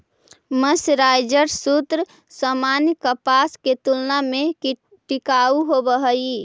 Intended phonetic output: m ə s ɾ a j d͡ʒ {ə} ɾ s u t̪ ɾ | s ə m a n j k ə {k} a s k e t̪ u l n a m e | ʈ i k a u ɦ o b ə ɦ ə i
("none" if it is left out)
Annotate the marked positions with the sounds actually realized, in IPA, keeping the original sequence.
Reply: ə, p

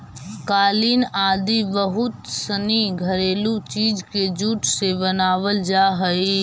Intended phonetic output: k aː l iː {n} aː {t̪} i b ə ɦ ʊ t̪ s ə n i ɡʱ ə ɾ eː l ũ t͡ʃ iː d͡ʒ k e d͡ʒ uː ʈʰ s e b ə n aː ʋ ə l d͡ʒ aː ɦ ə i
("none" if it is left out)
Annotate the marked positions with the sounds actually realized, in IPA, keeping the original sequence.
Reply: n, d̪

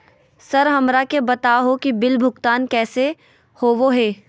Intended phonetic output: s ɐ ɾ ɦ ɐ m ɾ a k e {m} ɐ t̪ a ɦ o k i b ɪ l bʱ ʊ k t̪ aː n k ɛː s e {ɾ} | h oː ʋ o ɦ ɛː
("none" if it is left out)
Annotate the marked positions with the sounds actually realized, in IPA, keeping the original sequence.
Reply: b, none

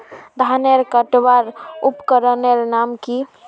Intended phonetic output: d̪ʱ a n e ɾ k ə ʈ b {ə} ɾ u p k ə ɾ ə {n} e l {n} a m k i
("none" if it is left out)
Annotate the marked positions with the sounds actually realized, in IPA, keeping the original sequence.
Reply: a, n, n

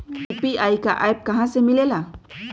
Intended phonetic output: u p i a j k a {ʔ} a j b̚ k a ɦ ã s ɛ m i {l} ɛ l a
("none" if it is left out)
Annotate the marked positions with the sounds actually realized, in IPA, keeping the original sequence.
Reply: ʔ, l

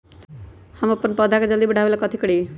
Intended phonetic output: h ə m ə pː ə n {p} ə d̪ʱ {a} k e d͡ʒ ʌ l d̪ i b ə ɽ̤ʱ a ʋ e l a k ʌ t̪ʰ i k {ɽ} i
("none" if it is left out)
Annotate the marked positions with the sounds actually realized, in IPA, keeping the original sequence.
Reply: p, a, ɽ

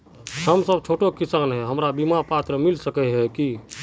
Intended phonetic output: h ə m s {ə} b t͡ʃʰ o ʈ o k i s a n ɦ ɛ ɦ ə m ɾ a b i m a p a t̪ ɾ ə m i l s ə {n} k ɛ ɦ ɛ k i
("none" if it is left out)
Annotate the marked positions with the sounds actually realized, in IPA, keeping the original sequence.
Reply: ə, none

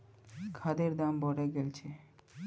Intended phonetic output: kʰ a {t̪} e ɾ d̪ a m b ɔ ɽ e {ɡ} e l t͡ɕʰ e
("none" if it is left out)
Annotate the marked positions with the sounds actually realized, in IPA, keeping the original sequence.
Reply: d̪, ɡ

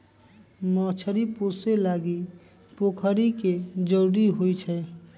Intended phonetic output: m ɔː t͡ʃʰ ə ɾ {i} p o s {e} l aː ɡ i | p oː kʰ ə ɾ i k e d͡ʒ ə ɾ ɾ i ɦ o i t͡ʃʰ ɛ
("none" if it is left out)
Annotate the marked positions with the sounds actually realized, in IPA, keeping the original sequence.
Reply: i, e

